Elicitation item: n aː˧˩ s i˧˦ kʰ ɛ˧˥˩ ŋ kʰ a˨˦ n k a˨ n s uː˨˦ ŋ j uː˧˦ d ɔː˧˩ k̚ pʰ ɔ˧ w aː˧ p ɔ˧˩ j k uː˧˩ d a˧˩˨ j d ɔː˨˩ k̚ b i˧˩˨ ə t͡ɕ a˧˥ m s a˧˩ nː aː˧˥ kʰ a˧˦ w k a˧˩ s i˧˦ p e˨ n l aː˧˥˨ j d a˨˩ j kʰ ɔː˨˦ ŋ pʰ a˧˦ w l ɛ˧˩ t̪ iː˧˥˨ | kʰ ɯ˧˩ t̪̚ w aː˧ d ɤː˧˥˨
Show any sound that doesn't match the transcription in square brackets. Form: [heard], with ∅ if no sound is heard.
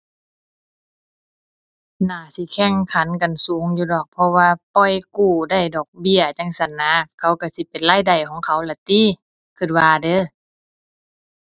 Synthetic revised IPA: n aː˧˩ s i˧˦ kʰ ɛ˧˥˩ ŋ kʰ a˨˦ n k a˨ n s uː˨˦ ŋ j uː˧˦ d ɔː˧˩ k̚ pʰ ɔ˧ w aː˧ p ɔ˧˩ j k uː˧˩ d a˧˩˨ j d ɔː˨˩ k̚ b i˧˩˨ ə t͡ɕ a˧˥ [ŋ] s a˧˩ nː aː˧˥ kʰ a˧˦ w k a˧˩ s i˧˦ p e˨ n l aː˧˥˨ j d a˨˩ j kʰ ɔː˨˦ ŋ [kʰ] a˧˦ w l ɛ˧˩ t̪ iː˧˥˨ | kʰ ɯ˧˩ t̪̚ w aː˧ d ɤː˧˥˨